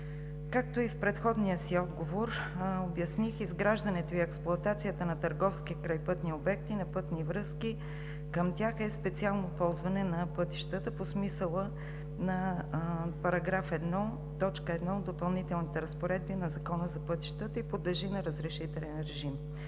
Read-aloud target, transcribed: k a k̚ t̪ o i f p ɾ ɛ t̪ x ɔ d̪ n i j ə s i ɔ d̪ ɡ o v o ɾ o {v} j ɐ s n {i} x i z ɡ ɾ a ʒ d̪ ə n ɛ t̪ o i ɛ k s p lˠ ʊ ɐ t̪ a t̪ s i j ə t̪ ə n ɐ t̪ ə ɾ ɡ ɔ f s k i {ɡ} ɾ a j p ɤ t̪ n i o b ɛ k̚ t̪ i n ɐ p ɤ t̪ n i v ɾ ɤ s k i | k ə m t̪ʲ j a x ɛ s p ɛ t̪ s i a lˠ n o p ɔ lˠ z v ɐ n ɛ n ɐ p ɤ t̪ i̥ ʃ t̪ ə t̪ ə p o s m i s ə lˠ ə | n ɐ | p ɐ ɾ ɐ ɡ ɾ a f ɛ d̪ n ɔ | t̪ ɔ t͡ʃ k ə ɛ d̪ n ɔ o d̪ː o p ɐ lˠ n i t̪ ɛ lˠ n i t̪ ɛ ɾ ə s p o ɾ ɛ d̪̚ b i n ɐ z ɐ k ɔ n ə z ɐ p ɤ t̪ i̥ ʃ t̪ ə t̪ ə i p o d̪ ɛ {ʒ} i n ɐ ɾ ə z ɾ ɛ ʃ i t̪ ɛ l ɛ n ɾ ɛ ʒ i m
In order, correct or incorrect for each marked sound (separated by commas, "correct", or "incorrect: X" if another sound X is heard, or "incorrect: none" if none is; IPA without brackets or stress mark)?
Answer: incorrect: b, correct, incorrect: k, correct